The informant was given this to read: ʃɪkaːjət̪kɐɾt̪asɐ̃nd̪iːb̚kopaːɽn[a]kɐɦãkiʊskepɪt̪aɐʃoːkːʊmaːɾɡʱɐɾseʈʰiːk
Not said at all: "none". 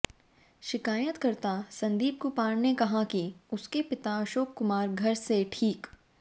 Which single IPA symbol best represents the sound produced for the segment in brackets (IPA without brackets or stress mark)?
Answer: e